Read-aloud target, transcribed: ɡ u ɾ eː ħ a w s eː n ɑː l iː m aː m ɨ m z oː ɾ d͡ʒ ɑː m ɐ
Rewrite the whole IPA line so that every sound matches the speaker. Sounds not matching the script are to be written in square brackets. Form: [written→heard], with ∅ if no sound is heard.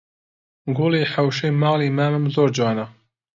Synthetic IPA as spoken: ɡ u [ɾ→l] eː ħ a w [s→ʃ] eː [n→m] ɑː l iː m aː m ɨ m z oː ɾ d͡ʒ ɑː [m→n] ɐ